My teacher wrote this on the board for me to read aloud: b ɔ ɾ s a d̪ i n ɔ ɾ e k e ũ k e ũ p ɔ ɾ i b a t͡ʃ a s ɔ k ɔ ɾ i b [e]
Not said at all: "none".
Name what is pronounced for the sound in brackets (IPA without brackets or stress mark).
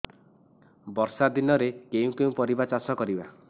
a